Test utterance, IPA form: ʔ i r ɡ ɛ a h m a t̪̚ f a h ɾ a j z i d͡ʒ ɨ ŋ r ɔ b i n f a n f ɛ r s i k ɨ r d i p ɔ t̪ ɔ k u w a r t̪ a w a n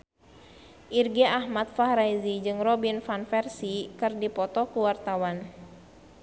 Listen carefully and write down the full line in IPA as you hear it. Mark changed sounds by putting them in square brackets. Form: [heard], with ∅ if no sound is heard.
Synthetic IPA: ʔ i r ɡ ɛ a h m a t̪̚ f a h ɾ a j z i d͡ʒ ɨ ŋ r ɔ b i n f a n f ɛ r s i k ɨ r d i p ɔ t̪ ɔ k u w a r t̪ a w a n